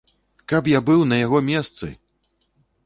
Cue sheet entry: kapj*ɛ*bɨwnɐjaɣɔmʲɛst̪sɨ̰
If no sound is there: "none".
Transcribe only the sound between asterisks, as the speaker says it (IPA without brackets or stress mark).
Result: a